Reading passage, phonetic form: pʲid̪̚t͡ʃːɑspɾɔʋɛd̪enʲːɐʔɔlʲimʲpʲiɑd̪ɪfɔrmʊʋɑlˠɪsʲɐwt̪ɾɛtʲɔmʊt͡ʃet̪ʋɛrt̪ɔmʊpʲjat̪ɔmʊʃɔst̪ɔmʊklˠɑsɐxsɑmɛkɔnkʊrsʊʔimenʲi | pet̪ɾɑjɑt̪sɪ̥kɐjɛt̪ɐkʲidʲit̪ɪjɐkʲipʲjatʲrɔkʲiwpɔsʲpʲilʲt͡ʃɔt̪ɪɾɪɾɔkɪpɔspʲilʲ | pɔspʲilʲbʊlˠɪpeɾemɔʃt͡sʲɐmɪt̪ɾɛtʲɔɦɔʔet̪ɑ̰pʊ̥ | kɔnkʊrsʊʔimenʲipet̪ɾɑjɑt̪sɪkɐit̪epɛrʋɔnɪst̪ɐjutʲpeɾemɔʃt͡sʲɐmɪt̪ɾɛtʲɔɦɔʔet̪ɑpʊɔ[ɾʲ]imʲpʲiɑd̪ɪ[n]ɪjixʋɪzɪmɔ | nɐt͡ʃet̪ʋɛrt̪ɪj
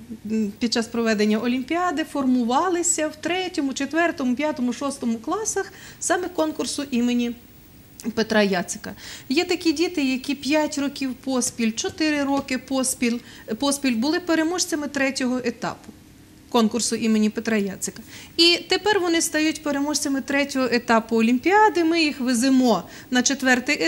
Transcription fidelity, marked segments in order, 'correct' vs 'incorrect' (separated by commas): incorrect, incorrect